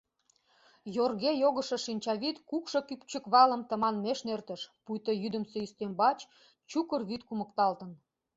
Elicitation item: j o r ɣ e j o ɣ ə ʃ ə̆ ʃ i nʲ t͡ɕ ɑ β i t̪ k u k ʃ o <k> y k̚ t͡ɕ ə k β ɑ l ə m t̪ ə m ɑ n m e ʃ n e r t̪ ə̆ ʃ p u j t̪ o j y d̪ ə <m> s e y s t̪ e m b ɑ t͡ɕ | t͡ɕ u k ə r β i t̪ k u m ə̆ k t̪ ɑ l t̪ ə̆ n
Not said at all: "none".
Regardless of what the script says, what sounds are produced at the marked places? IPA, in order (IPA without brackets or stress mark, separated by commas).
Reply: k, m